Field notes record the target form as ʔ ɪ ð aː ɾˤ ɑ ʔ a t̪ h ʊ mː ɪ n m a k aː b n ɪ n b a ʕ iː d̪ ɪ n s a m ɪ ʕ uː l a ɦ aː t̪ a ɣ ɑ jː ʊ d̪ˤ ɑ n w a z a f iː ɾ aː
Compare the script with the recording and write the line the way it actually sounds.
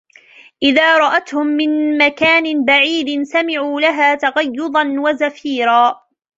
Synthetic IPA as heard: ʔ ɪ ð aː ɾˤ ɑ ʔ a t̪ h ʊ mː ɪ n m a k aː n ɪ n b a ʕ iː d̪ ɪ n s a m ɪ ʕ uː l a ɦ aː t̪ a ɣ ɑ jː ʊ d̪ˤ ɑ n w a z a f iː ɾ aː